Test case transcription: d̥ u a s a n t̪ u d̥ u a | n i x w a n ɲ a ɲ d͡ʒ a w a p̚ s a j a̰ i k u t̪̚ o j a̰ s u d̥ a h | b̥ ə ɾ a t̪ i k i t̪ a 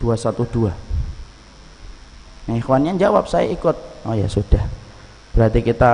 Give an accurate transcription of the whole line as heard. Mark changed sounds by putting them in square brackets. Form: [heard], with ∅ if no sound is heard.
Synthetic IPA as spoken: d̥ u a s a [∅] t̪ u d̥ u a | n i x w a n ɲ a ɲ d͡ʒ a w a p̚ s a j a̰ i k [ʊ] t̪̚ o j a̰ s u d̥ a h | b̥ ə ɾ a t̪ i k i t̪ a